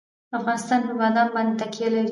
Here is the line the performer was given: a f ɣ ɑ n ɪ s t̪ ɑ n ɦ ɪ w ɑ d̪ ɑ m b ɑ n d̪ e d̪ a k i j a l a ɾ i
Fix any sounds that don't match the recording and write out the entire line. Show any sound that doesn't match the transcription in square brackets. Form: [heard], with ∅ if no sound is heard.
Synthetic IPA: a f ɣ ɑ n ɪ s t̪ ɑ n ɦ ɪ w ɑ d̪ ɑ [n] b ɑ n d̪ e [t̪] a k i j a l a ɾ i